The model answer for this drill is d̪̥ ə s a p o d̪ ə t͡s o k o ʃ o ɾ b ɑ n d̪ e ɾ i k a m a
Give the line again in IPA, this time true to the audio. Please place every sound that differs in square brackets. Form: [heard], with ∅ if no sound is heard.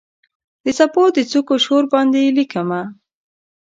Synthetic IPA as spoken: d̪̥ ə s a p o d̪ ə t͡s [u] k o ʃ o ɾ b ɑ n d̪ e [l] i k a m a

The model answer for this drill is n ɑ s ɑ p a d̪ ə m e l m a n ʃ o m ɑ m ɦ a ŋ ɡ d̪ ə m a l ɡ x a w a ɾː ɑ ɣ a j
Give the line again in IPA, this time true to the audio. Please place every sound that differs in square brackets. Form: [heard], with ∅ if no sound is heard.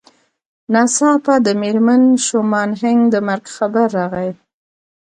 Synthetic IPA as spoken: n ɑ s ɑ p a d̪ ə m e [ɾ] m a n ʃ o m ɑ [n] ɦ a ŋ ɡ d̪ ə m a [ɾ] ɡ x a [b] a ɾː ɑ ɣ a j

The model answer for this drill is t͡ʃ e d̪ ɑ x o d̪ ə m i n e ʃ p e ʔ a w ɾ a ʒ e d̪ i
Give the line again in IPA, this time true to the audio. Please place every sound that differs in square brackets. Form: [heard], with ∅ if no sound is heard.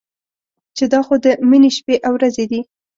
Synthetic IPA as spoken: t͡ʃ e d̪ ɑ x o d̪ ə m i n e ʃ p e ʔ a w ɾ a [z] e d̪ i

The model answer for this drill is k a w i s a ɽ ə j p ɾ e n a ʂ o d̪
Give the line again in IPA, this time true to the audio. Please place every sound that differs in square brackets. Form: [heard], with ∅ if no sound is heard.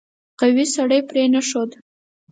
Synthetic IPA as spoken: [q] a w i s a ɽ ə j p ɾ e n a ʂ o d̪

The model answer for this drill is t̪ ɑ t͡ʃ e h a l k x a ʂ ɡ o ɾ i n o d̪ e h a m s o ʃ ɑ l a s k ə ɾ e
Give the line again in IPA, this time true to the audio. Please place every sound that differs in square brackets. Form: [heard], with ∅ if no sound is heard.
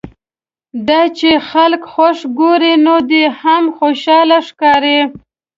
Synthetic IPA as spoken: [d̪] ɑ t͡ʃ e [x] a l k x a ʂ ɡ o ɾ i n o d̪ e h a m [x] o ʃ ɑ l a [ʂ] k [ɑ] ɾ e

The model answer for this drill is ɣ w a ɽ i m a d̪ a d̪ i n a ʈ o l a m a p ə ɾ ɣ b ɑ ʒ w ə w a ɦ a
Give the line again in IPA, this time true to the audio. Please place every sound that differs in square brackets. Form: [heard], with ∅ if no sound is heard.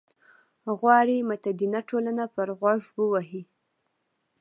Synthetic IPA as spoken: ɣ w [ɑ] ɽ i m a [t̪] a d̪ i n a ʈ o l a [n] a p ə ɾ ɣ [w] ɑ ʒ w ə w a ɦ [i]

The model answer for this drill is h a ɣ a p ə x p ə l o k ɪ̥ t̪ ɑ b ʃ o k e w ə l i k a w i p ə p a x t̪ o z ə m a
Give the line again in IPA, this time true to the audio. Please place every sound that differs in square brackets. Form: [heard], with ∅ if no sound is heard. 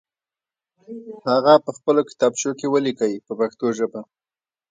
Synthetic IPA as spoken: h a ɣ a p ə x p ə l o k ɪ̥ t̪ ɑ b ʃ o k e w ə l i k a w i p ə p a x t̪ o [ʒ] ə [b] a

